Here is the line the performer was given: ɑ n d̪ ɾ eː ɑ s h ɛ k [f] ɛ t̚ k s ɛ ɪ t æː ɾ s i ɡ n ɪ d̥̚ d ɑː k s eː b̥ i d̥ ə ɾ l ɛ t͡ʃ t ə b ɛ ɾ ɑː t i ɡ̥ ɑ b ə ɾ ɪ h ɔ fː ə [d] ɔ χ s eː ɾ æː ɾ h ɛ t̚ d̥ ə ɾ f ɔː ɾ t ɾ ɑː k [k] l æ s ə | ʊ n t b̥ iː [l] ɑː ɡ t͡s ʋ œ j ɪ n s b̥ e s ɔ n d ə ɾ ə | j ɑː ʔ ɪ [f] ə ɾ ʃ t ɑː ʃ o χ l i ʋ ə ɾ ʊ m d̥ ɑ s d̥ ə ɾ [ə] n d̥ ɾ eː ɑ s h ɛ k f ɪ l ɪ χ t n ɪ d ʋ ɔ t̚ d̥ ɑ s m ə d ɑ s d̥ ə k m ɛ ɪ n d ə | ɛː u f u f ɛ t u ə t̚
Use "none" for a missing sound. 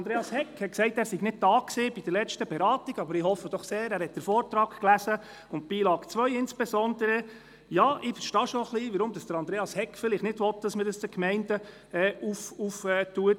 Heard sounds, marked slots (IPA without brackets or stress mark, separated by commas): h, d, k, l, f, ɑ